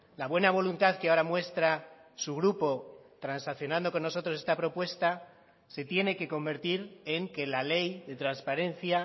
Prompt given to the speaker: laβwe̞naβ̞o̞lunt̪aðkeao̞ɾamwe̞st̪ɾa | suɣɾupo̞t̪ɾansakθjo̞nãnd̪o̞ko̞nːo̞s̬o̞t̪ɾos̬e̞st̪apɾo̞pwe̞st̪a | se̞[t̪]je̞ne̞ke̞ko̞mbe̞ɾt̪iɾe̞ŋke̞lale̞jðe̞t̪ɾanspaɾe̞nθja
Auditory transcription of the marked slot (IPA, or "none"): t̪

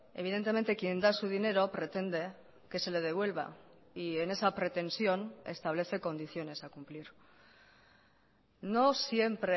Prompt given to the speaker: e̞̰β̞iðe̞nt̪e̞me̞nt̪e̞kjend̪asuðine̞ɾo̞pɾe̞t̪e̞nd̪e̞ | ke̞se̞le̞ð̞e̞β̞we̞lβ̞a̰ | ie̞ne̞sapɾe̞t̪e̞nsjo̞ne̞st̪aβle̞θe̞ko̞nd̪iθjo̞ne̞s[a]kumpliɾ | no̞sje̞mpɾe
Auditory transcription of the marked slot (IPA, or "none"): a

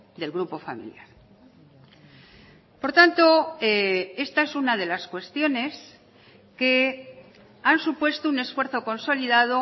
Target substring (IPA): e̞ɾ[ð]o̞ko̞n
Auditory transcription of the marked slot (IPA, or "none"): θ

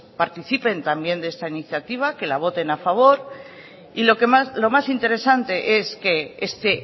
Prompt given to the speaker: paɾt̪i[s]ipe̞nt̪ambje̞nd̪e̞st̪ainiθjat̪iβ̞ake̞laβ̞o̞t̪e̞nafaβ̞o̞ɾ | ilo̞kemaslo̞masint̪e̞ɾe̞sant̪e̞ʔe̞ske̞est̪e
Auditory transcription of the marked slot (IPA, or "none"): θ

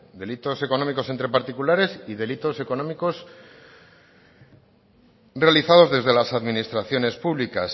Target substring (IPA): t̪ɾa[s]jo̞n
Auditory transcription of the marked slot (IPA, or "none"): θ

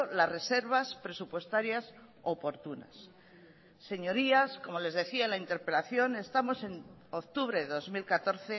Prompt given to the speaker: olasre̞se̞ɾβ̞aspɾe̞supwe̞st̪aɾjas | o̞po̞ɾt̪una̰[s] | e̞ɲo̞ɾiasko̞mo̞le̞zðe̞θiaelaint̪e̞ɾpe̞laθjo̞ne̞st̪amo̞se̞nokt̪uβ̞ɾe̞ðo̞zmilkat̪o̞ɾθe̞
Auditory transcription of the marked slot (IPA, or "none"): sː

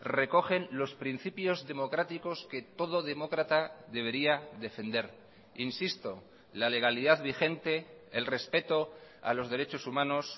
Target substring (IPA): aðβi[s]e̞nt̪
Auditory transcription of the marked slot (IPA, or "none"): x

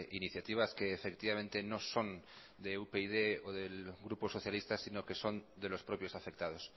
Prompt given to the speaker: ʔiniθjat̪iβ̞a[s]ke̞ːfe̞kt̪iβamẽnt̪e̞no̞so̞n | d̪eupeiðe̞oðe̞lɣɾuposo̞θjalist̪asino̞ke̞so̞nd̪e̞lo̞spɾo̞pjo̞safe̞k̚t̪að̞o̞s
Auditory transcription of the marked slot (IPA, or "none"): s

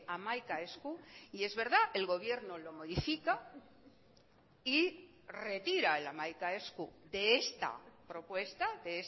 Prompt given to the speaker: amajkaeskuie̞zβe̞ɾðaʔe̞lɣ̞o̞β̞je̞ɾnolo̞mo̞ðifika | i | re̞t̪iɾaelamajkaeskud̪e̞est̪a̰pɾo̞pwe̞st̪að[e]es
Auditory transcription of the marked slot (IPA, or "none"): e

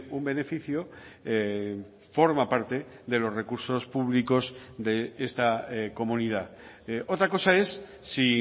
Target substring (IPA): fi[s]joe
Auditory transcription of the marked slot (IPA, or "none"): θ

